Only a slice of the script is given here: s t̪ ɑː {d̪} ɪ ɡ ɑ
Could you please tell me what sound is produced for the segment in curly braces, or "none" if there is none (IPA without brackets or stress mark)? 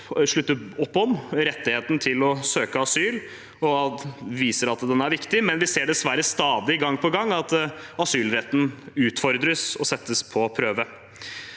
d̪